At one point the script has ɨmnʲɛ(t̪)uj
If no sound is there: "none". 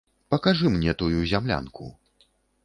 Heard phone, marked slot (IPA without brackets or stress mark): t̪